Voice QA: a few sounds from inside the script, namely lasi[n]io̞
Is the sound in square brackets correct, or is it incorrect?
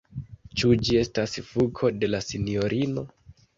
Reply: correct